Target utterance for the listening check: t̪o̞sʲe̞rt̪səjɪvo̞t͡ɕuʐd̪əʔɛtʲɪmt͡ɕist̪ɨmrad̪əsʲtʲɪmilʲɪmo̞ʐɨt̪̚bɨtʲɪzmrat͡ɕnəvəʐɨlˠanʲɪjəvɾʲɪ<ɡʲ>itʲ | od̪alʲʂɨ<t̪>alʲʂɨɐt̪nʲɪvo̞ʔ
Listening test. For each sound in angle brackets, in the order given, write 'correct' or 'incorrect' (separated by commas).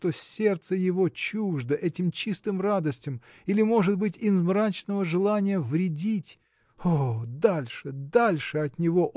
incorrect, incorrect